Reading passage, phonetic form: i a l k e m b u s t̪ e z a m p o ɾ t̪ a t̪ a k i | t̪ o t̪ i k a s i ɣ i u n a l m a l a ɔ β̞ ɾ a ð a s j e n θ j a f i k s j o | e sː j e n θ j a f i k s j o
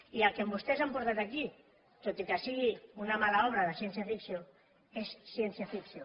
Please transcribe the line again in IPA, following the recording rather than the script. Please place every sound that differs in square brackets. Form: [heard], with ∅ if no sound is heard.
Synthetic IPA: i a l k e m b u s t̪ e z a m p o ɾ t̪ a t̪ a k i | t̪ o t̪ i k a s i ɣ i u n a [∅] m a l a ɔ β̞ ɾ a ð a s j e n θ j a f i k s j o | e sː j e n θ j a f i k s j o